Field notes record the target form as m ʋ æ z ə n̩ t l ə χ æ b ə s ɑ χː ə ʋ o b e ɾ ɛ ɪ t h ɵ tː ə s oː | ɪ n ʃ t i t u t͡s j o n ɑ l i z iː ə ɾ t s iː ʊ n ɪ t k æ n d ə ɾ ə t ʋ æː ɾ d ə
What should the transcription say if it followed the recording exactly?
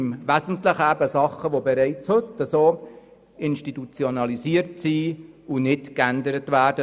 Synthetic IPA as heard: m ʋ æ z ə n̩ t l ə χ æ b ə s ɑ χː ə ʋ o b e ɾ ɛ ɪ t͡s h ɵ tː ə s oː | ɪ n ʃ t i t u t͡s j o n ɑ l i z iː ə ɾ t s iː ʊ n ɪ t k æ n d ə ɾ ə t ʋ æː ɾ d ə